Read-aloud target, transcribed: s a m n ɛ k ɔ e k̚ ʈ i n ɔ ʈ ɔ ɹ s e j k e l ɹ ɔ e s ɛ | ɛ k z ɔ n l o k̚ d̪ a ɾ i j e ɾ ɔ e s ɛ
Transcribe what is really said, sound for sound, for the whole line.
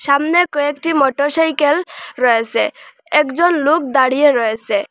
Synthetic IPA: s a m n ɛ k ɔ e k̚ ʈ i m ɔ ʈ ɔ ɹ s a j k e l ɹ ɔ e s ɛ | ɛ k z ɔ n l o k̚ d̪ a ɽ i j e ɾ ɔ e s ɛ